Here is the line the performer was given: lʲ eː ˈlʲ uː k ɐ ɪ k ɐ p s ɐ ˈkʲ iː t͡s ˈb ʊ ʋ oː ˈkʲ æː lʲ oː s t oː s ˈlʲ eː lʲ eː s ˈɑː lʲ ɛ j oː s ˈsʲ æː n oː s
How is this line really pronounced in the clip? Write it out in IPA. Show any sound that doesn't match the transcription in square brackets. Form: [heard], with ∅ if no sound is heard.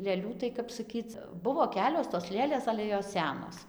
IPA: lʲ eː ˈlʲ uː [t] ɐ ɪ k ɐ p s ɐ ˈkʲ iː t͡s ˈb ʊ ʋ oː ˈkʲ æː lʲ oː s t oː s ˈlʲ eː lʲ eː s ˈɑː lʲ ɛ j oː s ˈsʲ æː n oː s